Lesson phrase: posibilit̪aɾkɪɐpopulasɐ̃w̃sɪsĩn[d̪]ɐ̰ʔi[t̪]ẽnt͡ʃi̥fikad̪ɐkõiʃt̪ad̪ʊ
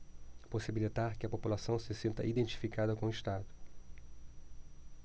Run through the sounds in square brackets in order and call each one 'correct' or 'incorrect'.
incorrect, incorrect

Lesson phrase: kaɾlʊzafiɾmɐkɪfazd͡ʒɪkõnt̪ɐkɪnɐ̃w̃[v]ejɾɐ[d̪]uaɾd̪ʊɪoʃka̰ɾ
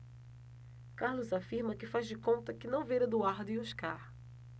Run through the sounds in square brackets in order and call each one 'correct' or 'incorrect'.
correct, correct

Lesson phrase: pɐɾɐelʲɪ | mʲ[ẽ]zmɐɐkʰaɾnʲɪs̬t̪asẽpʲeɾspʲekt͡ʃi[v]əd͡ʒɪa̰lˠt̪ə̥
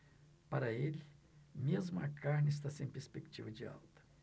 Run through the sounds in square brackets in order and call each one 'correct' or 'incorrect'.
incorrect, correct

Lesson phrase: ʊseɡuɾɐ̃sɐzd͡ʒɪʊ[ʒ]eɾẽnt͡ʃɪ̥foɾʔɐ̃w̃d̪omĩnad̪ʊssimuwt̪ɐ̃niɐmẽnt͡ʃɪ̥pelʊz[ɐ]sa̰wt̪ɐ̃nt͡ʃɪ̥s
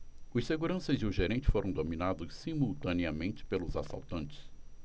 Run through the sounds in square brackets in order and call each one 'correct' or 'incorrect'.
correct, incorrect

